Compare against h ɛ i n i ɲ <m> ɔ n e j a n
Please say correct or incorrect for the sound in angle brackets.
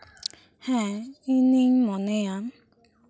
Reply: correct